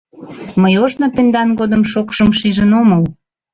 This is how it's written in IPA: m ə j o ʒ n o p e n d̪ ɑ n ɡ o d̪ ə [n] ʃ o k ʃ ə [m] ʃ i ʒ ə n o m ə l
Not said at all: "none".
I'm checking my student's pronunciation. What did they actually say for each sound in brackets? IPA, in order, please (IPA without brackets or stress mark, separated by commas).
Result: m, m